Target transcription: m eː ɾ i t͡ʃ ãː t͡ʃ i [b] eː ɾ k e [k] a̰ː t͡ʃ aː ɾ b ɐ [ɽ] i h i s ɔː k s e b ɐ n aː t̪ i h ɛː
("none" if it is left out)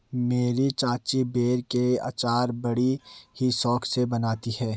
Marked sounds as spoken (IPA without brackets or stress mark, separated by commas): b, none, ɽ